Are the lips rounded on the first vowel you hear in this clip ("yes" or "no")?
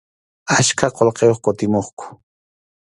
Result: no